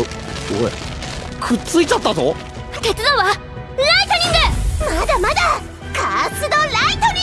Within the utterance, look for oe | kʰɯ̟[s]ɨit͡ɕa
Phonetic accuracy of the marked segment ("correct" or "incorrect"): incorrect